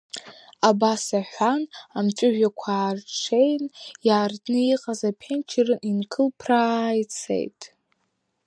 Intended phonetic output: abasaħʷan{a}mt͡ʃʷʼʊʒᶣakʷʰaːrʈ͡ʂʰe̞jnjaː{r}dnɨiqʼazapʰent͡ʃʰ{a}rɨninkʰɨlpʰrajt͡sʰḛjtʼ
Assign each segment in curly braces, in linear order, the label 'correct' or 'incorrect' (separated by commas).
correct, correct, incorrect